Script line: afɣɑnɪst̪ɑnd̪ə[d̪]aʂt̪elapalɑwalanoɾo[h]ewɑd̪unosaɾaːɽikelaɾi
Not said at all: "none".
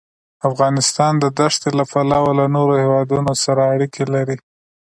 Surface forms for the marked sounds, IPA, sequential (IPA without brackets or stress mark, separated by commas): d̪, h